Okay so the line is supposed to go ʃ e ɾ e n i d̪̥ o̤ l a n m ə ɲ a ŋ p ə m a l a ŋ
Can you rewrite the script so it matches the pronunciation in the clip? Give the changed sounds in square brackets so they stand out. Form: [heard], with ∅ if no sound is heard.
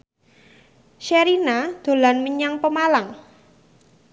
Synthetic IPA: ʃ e ɾ [i] n [a] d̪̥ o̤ l a n m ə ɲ a ŋ p ə m a l a ŋ